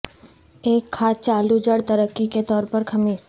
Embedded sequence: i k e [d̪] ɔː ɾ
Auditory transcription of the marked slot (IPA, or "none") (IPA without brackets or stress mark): t̪